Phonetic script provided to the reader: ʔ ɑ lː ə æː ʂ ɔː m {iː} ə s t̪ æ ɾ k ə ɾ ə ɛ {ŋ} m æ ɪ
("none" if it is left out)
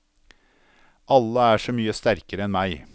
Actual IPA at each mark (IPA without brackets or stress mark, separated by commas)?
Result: yː, n